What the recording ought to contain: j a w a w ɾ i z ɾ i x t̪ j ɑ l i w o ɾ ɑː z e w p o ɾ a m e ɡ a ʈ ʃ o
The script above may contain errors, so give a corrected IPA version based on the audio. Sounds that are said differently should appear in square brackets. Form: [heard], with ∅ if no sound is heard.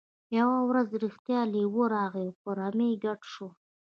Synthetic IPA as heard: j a w a w ɾ [a] z ɾ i x t̪ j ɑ l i w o ɾ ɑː [ɣ] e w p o ɾ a m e ɡ a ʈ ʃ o